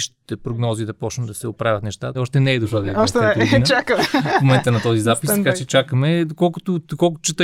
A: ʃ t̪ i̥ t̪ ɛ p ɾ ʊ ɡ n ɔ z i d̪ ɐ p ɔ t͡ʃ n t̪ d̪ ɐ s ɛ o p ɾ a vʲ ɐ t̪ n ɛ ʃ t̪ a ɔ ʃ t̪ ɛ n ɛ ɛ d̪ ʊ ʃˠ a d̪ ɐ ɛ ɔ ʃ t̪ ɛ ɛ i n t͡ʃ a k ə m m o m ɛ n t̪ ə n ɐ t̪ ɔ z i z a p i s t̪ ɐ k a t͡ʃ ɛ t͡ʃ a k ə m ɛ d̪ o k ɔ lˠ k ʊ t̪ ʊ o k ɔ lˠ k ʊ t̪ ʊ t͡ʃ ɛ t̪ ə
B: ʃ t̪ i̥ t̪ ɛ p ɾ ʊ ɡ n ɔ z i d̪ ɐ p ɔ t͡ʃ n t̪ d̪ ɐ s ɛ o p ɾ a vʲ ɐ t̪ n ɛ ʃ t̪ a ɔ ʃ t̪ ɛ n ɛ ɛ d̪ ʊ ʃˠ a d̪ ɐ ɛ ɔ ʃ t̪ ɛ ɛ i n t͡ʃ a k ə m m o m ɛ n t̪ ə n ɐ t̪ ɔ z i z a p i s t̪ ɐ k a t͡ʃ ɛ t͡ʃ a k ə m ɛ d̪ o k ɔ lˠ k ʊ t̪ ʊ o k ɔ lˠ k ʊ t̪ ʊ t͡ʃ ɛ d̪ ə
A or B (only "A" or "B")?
A